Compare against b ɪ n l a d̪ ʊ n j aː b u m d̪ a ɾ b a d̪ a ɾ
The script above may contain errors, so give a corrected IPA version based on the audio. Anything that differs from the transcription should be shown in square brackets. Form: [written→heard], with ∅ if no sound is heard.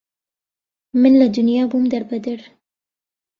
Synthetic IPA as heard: [b→m] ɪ n l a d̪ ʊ n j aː b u m d̪ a ɾ b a d̪ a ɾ